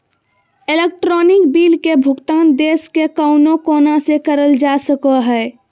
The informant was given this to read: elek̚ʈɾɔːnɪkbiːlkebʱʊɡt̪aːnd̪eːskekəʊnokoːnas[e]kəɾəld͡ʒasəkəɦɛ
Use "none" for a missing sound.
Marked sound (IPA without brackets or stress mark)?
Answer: e